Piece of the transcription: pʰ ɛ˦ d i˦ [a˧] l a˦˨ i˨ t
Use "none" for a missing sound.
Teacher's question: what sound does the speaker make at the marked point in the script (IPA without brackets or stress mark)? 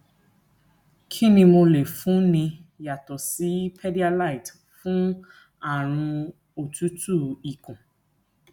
a˧